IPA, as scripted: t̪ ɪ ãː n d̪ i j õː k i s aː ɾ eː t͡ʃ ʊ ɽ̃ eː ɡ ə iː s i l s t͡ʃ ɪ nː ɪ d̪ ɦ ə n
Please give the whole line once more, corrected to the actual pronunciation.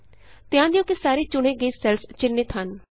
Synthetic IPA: t̪ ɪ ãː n d̪ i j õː k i s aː ɾ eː t͡ʃ ʊ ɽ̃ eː ɡ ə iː s ɛ l s t͡ʃ ɪ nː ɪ t̪ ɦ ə n